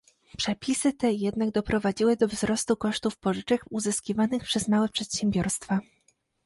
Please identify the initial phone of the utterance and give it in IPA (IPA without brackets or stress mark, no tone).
p